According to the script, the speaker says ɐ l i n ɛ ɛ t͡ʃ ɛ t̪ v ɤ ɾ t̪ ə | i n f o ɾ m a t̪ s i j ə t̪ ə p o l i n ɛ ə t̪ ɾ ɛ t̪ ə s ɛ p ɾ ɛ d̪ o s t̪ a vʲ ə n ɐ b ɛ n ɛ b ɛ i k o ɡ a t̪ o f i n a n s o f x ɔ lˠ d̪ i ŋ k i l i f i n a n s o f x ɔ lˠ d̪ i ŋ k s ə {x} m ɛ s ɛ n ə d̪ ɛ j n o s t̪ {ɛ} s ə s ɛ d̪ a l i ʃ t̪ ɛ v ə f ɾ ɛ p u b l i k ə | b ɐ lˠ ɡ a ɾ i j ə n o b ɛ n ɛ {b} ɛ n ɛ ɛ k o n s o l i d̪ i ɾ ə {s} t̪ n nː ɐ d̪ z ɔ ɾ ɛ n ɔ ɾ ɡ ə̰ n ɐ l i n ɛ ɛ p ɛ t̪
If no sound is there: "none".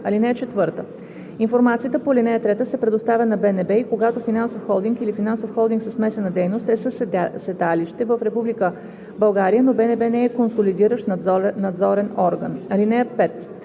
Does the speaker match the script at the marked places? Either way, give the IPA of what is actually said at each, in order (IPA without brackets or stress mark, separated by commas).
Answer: s, ɛ, b, ʃ